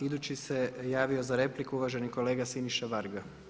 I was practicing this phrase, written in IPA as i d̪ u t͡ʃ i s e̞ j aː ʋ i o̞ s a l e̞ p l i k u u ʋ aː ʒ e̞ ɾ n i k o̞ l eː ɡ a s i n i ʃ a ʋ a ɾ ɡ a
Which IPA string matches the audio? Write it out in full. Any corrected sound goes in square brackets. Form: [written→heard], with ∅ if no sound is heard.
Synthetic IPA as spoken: i d̪ u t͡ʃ i s e̞ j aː ʋ i o̞ [s→z] a [l→ɾ] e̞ p l i k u u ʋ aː ʒ e̞ [ɾ→∅] n i k o̞ l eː ɡ a s i n i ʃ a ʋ a ɾ ɡ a